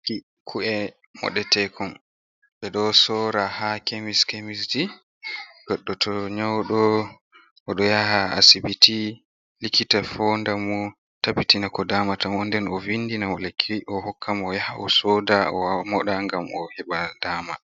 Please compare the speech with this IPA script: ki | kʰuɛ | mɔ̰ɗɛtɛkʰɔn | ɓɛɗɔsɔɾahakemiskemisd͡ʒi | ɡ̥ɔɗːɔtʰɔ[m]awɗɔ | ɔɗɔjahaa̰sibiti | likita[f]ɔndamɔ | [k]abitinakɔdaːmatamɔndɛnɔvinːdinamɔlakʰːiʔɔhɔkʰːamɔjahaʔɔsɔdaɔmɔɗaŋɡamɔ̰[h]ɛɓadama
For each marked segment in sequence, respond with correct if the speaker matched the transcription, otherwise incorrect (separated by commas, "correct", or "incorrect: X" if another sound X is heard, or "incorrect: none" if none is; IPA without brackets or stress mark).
incorrect: ɲ, correct, incorrect: t, correct